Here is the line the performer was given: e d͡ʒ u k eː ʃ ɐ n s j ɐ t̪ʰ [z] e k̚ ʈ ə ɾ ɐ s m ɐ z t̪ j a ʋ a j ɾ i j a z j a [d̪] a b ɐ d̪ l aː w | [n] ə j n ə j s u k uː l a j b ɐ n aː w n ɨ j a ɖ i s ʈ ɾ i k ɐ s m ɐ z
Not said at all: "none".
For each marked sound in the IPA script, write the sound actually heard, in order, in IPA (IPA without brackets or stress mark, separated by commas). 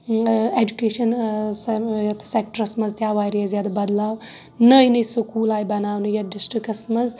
s, d̪, n